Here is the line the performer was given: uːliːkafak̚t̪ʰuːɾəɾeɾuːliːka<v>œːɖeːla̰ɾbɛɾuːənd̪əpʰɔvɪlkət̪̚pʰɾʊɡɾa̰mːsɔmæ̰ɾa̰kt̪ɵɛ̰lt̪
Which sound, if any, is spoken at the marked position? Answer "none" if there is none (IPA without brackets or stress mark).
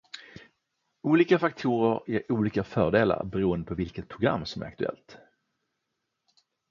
f